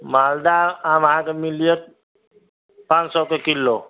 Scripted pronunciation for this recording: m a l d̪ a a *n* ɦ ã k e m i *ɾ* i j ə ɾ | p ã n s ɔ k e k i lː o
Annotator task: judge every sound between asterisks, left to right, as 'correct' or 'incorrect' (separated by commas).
incorrect, incorrect